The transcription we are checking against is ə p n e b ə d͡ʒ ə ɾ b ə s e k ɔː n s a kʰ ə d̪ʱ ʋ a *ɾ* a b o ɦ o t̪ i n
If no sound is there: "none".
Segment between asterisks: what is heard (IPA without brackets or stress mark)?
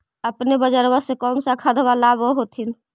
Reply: l